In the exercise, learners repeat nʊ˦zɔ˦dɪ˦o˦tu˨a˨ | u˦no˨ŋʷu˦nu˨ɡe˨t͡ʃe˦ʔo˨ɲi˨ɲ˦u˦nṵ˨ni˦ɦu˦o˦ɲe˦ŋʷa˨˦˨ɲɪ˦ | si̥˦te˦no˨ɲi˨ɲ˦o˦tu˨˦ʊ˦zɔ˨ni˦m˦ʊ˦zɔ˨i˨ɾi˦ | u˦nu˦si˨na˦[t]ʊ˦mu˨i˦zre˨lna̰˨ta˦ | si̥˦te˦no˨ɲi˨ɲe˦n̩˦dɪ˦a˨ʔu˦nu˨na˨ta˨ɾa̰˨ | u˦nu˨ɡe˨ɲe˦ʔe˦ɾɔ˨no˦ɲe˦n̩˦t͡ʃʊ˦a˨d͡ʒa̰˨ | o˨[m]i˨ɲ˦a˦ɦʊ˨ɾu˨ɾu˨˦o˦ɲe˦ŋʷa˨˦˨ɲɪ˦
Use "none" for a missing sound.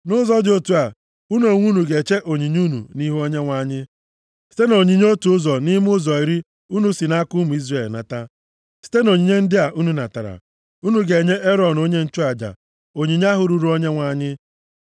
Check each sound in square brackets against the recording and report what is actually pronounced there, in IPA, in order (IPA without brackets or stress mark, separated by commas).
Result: k, ɲ